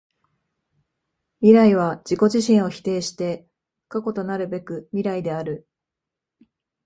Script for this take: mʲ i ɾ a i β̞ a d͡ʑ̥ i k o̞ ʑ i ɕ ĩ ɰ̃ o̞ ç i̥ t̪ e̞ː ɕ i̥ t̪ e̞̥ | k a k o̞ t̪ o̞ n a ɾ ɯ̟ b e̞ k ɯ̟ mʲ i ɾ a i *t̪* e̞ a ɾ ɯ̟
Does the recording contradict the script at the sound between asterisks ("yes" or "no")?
yes